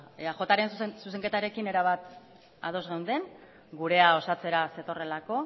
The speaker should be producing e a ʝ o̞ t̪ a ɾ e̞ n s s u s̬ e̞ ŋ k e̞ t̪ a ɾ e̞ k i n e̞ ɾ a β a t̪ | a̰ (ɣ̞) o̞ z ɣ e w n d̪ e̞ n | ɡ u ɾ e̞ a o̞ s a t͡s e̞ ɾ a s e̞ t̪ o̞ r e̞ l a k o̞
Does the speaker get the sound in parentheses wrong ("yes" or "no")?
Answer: yes